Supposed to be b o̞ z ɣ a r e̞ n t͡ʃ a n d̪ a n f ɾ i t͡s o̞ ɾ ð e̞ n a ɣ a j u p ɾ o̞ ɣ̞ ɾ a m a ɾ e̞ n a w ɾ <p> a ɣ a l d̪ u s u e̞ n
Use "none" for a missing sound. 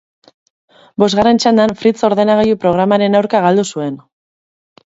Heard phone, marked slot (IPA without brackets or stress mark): k